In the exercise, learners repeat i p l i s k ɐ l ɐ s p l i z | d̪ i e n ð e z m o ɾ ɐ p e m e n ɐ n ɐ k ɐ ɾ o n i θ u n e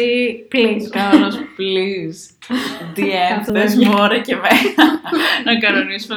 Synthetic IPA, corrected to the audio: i p l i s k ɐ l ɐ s p l i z | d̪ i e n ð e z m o ɾ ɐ c e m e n ɐ n ɐ k ɐ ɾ o n i s u m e